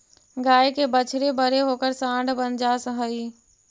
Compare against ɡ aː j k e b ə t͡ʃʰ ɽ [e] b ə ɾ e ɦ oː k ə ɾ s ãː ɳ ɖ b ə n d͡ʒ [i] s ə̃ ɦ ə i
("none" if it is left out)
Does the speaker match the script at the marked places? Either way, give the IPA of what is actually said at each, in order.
e, a

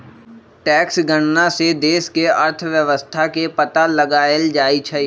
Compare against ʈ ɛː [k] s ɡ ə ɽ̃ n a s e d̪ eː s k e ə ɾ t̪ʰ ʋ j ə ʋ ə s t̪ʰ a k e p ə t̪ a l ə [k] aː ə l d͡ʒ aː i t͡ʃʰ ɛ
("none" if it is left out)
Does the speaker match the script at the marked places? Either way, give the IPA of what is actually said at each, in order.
k, ɡ

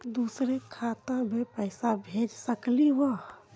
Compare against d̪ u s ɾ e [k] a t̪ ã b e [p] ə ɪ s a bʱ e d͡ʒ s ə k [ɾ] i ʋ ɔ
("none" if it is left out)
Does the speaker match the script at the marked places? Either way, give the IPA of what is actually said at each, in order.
kʰ, p, l

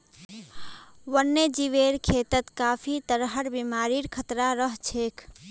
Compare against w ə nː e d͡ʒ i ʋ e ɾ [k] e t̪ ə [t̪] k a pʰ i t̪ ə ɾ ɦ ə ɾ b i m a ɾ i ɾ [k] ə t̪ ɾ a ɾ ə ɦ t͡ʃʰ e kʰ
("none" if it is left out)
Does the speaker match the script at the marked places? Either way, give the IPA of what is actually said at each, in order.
kʰ, t̪, kʰ

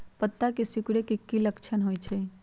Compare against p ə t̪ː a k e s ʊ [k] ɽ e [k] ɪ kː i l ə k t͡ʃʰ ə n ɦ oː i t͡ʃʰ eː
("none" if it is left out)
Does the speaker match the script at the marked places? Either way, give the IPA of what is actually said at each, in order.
k, k

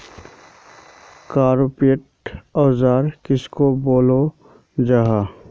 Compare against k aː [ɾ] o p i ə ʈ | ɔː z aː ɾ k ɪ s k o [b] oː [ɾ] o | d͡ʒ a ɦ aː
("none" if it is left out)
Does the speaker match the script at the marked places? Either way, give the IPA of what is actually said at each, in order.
ɾ, b, l

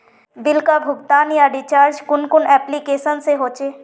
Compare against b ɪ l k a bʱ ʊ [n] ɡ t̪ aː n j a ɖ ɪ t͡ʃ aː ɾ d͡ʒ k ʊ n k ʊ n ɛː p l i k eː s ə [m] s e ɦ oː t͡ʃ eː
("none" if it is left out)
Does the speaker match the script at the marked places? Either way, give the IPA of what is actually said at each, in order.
none, n

